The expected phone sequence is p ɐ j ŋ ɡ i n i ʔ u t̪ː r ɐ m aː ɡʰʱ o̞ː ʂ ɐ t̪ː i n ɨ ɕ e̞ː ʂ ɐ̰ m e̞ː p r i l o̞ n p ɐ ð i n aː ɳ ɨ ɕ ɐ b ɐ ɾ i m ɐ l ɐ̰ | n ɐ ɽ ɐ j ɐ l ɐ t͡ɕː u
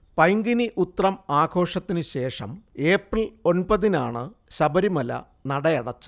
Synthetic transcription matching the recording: p ɐ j ŋ ɡ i n i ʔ u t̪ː r ɐ m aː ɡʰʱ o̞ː ʂ ɐ t̪ː i n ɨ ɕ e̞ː ʂ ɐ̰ m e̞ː p r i l o̞ n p ɐ ð i n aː ɳ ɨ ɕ ɐ b ɐ ɾ i m ɐ l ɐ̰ | n ɐ ɽ ɐ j ɐ ɽ ɐ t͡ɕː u